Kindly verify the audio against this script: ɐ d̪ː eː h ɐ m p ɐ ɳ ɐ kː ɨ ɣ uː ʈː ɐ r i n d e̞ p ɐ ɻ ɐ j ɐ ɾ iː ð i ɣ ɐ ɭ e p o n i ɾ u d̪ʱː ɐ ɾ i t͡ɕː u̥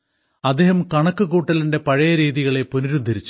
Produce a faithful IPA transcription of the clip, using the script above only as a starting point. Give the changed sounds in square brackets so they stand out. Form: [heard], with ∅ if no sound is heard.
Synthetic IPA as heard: ɐ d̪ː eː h ɐ m [k] ɐ ɳ ɐ kː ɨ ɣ uː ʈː ɐ [l] i n d e̞ p ɐ ɻ ɐ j ɐ ɾ iː ð i ɣ ɐ ɭ e p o n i ɾ u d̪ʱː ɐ ɾ i t͡ɕː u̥

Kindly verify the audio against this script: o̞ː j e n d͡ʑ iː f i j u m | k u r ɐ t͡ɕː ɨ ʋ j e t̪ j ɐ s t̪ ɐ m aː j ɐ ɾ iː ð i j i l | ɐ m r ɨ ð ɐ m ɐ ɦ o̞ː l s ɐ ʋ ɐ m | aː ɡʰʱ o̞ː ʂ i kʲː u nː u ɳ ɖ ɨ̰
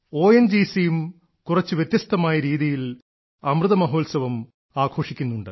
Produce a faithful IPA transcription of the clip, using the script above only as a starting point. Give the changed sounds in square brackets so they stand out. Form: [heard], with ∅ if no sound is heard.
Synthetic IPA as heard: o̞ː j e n d͡ʑ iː [s] i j u m | k u r ɐ t͡ɕː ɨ ʋ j e t̪ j ɐ s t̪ ɐ m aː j ɐ ɾ iː ð i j i l | ɐ m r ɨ ð ɐ m ɐ ɦ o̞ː l s ɐ ʋ ɐ m | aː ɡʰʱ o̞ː ʂ i kʲː u nː u ɳ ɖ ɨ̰

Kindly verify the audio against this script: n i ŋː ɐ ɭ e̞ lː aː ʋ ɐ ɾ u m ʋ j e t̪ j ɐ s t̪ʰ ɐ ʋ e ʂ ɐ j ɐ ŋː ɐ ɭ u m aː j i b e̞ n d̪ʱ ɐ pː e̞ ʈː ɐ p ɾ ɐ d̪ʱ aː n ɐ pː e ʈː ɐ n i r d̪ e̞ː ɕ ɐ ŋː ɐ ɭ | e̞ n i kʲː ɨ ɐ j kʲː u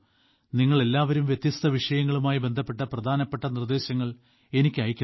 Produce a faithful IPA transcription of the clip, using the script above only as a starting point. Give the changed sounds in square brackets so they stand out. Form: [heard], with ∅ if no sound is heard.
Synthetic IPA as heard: n i ŋː ɐ ɭ e̞ lː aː ʋ ɐ ɾ u m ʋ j e t̪ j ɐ s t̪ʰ ɐ ʋ [i] ʂ ɐ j ɐ ŋː ɐ ɭ u m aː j i b e̞ n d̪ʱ ɐ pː e̞ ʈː ɐ p [r] ɐ d̪ʱ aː n ɐ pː e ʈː ɐ n i r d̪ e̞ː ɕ ɐ ŋː ɐ ɭ | e̞ n i kʲː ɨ ɐ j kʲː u

